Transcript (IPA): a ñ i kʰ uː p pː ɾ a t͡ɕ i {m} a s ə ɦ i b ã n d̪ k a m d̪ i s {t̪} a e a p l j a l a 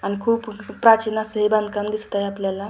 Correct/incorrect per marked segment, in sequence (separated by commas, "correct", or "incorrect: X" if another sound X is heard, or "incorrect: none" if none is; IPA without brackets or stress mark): incorrect: n, correct